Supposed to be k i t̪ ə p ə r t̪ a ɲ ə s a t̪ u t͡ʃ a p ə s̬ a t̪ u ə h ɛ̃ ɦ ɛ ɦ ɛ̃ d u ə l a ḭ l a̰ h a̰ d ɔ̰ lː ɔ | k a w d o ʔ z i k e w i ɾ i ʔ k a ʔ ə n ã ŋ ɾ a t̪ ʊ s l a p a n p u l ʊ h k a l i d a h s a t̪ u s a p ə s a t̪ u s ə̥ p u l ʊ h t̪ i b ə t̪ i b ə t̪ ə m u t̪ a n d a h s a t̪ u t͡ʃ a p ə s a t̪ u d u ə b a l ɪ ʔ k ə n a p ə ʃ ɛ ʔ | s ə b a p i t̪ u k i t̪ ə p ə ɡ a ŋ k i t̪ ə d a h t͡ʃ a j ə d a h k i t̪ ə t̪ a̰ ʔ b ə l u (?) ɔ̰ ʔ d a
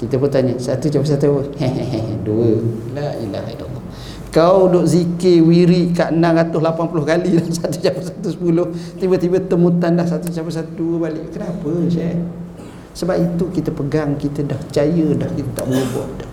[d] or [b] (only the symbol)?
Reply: b